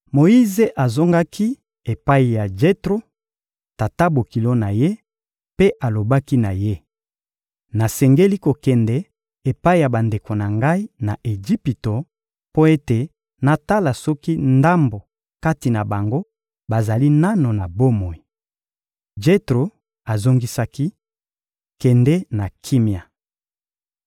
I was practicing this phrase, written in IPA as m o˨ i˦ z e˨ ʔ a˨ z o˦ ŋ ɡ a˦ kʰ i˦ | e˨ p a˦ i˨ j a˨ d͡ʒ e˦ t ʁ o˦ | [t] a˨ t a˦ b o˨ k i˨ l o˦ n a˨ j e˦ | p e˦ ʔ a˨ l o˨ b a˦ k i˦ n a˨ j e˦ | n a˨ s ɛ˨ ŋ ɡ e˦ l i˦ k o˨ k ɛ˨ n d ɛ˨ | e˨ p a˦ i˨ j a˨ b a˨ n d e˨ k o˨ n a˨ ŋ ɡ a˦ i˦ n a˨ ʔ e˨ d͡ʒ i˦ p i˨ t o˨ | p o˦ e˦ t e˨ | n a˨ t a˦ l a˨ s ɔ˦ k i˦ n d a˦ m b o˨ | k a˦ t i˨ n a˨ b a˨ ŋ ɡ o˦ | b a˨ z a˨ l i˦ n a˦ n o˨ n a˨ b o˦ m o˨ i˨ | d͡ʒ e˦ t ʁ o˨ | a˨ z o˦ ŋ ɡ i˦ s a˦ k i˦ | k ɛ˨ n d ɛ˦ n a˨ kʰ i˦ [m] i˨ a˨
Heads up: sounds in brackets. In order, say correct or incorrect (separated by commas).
correct, correct